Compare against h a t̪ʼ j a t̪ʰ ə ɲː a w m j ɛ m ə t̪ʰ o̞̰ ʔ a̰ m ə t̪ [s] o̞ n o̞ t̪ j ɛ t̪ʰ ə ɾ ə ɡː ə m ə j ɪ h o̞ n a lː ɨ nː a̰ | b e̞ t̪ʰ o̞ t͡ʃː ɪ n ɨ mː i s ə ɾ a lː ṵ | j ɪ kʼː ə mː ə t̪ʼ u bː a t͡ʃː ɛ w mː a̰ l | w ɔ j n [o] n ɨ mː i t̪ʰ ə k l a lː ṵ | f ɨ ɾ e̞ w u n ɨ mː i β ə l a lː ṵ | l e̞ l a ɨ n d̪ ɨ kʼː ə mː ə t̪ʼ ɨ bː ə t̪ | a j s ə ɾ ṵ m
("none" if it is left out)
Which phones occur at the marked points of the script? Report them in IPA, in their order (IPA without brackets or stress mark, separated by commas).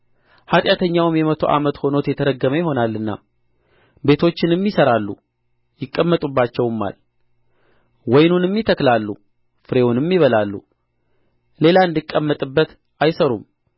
h, u